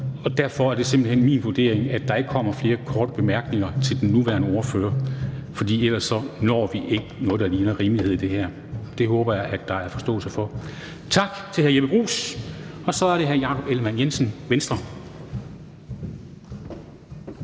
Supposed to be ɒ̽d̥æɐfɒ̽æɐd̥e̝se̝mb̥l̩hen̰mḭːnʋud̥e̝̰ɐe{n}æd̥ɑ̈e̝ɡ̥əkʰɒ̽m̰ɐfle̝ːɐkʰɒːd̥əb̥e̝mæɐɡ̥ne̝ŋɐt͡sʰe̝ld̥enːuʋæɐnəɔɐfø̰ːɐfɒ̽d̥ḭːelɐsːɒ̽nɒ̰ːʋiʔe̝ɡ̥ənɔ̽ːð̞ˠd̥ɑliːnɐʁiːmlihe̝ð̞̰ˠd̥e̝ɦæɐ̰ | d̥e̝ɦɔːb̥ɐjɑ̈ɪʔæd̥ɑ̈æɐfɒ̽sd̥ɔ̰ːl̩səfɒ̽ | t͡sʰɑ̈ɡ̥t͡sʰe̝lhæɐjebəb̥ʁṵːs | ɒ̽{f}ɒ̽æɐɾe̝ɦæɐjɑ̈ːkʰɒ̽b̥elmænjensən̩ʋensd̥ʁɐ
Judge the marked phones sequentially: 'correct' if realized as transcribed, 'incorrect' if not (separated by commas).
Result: incorrect, incorrect